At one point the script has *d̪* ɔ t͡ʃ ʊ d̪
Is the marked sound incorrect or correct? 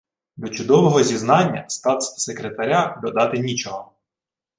correct